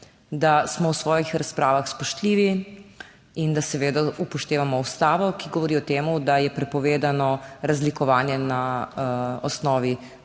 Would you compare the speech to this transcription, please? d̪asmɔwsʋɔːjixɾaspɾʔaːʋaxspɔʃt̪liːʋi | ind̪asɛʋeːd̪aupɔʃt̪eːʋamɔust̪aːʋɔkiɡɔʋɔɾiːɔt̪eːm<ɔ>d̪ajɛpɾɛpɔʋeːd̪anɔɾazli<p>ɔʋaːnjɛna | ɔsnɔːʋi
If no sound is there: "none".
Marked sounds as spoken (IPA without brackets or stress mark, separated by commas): u, k